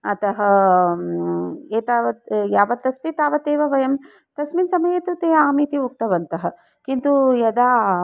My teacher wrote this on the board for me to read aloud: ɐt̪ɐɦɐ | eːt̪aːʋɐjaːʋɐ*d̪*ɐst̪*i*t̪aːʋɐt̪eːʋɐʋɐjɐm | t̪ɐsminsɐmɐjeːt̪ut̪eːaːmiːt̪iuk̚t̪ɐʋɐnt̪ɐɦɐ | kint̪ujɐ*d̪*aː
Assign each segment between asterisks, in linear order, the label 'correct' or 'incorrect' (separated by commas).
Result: incorrect, correct, correct